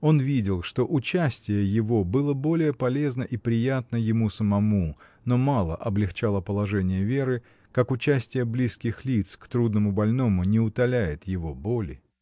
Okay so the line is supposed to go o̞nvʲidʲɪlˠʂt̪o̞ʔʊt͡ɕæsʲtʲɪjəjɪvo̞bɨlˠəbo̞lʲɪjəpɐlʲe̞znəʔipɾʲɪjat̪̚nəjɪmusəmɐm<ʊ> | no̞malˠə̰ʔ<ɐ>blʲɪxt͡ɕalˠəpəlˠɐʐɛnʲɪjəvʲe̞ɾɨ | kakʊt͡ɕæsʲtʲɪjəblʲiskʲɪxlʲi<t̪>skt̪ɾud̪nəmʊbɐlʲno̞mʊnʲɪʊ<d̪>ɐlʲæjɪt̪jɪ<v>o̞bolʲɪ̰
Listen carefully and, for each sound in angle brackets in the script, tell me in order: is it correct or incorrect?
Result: incorrect, correct, correct, incorrect, correct

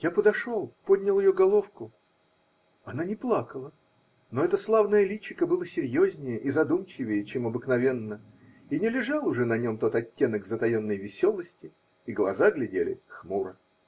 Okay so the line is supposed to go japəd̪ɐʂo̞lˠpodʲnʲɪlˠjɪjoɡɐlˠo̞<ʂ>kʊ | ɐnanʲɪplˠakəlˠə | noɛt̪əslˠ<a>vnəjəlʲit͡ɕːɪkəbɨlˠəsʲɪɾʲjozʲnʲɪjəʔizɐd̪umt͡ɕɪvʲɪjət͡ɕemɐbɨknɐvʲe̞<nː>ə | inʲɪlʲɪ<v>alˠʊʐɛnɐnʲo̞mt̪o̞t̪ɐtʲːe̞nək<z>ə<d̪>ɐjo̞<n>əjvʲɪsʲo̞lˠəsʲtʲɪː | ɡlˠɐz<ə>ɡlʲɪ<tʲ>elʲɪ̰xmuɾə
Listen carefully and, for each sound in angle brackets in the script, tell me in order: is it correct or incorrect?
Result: incorrect, correct, correct, incorrect, correct, incorrect, incorrect, incorrect, incorrect

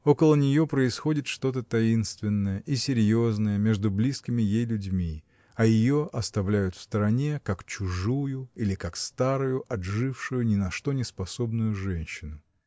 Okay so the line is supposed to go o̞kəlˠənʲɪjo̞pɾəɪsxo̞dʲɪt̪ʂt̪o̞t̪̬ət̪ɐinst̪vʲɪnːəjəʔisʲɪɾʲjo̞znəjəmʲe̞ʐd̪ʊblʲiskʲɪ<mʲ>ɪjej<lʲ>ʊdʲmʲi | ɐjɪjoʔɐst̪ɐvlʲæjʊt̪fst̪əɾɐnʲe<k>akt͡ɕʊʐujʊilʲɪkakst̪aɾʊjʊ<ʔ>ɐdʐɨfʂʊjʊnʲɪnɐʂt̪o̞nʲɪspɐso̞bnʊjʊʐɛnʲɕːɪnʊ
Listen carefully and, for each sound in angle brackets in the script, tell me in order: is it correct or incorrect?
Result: correct, correct, correct, correct

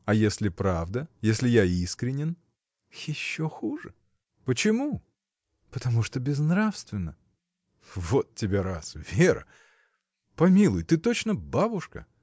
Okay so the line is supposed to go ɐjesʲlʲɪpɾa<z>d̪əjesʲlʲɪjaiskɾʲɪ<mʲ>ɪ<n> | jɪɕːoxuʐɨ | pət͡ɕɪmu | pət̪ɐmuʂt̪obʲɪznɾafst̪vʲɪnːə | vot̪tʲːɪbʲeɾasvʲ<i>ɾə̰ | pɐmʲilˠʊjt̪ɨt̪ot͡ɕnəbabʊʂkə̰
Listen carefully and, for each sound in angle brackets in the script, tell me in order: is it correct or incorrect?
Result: incorrect, incorrect, correct, incorrect

